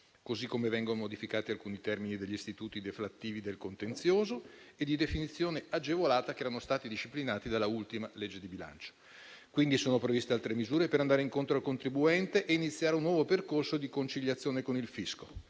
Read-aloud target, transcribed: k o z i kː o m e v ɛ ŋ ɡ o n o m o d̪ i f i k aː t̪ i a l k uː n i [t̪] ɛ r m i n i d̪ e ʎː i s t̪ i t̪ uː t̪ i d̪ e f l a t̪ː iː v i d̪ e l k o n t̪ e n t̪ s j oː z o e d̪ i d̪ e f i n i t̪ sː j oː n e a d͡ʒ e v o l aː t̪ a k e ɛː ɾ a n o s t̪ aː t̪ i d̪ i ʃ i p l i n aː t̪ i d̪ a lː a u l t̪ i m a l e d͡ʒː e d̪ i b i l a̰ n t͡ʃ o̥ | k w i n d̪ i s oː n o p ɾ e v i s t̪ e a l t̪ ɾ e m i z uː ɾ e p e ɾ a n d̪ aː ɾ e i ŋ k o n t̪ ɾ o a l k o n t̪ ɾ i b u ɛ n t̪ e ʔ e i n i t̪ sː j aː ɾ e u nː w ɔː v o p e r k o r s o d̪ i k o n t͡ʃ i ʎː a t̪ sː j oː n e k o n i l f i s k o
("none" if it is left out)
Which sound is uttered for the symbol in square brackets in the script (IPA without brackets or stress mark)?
t̪